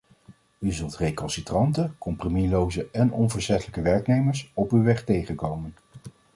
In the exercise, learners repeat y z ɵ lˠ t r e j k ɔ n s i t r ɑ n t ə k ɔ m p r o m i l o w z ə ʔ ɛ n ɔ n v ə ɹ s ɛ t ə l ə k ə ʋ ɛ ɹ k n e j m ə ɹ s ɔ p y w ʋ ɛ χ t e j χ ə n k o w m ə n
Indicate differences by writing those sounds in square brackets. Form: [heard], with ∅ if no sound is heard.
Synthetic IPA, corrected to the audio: y z ɵ lˠ t r e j k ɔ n s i t r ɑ n t ə k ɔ m p r o m i l o w z ə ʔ ɛ n ɔ n v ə ɹ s ɛ t ə l ə k ə ʋ ɛ ɹ k n e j m ə ɹ s ɔ p y w ʋ ɛ χ t e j χ ə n k o w m ə n